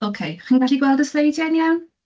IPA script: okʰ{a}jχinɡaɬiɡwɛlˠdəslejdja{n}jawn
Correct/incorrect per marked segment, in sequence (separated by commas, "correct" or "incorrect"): incorrect, correct